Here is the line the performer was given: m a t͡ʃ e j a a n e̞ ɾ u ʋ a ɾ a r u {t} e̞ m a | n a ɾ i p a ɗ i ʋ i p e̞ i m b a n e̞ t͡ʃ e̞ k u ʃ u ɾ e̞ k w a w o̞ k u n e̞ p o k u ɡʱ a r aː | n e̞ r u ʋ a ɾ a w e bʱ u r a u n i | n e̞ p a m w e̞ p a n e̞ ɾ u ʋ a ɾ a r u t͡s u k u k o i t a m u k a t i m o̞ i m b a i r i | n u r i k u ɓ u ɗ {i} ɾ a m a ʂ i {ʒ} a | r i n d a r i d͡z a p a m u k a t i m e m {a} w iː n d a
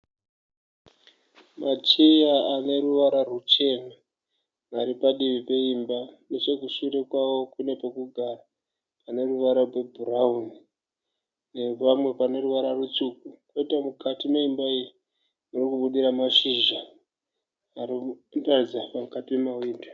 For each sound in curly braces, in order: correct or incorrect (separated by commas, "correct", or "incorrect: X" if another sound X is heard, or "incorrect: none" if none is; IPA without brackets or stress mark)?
incorrect: t͡ʃ, correct, correct, correct